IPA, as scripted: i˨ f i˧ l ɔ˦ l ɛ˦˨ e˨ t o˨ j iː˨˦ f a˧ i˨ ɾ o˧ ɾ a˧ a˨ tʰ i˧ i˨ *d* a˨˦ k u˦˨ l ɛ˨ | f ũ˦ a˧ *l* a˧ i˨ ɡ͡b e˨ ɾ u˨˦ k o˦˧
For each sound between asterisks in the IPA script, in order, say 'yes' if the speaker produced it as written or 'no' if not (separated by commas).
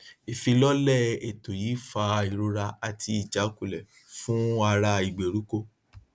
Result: no, no